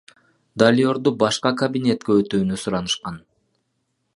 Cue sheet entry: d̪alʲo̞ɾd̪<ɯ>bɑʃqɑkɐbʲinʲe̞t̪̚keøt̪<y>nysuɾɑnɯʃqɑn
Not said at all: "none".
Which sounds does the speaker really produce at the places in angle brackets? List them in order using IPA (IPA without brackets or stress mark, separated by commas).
u, yː